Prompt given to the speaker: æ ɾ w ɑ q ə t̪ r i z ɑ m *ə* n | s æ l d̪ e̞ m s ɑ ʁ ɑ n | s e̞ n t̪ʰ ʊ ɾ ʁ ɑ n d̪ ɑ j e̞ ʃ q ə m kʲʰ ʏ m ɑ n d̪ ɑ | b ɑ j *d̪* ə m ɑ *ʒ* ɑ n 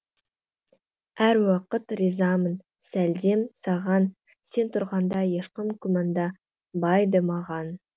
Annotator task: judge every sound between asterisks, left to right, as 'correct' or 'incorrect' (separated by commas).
correct, correct, incorrect